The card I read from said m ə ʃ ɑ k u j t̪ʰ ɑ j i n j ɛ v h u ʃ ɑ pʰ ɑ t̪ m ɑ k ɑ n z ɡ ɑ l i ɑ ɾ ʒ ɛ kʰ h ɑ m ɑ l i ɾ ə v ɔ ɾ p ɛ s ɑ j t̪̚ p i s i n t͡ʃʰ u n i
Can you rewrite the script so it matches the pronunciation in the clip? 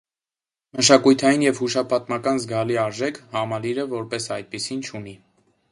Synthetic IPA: m ə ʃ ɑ k u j t̪ʰ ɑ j i n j ɛ v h u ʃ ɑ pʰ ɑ t̪ m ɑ k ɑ n z ɡ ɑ l i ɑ ɾ ʒ ɛ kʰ h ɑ m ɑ l i ɾ ə v ɔ ɾ p ɛ s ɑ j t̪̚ p i s i n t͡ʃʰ u n i

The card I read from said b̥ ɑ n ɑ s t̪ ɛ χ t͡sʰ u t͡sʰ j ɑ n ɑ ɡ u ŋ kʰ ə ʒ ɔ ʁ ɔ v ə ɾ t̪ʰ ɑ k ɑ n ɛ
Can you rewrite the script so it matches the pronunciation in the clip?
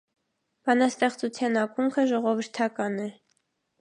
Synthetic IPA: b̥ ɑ n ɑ s t̪ ɛ χ t͡s u t͡sʰ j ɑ n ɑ k u ŋ kʰ ə ʒ ɔ ʁ ɔ v ə ɾ t̪ʰ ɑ k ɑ n ɛ

